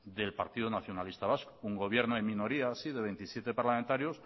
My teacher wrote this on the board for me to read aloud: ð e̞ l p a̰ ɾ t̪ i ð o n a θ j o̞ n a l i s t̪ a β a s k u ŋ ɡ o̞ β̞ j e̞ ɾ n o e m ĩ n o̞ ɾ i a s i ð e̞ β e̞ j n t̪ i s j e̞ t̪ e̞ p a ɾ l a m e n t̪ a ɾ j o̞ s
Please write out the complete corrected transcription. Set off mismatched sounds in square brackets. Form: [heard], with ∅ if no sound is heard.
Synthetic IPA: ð e̞ l p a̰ ɾ t̪ i ð o n a θ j o̞ n a l i s t̪ a β a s k u ŋ ɡ o̞ β̞ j e̞ ɾ n o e m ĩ n o̞ ɾ i a s i ð e̞ β e̞ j n t̪ i s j e̞ t̪ e̞ p a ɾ l a m e n t̪ a ɾ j o̞ s